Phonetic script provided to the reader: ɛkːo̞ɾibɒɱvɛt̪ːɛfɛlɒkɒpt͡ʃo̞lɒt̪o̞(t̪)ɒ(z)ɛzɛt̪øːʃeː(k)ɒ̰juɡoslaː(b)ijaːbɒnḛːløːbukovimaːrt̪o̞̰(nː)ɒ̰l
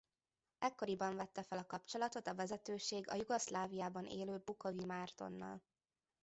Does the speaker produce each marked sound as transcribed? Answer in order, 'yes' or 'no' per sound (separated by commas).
yes, no, no, no, yes